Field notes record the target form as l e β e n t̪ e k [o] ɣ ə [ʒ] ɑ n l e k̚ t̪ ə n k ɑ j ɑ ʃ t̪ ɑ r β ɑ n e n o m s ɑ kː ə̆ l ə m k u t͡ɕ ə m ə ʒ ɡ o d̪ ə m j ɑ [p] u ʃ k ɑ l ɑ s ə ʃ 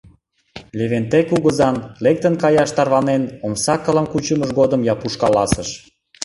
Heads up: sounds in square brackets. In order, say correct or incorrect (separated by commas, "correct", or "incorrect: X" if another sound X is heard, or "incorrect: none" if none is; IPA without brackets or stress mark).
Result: incorrect: u, incorrect: z, correct